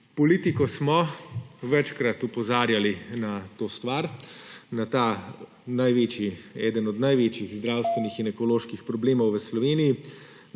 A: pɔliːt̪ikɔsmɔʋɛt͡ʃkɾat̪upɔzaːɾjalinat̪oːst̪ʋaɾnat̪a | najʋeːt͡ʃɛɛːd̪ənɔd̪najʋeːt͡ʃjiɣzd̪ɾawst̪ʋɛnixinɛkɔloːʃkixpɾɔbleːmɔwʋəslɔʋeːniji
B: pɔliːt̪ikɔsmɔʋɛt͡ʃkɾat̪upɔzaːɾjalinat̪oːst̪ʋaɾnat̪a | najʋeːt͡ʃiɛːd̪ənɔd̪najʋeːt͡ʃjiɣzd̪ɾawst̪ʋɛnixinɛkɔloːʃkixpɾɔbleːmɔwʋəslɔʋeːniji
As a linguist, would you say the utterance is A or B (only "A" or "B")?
B